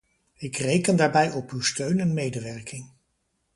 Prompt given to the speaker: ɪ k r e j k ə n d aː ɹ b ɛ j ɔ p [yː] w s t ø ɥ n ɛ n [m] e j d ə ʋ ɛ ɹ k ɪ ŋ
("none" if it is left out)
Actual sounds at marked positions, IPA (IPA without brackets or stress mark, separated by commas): y, m